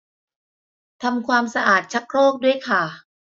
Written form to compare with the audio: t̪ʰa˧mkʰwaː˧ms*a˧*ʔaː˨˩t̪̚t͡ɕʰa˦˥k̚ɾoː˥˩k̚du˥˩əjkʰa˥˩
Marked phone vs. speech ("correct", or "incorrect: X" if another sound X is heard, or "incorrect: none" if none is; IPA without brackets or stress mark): correct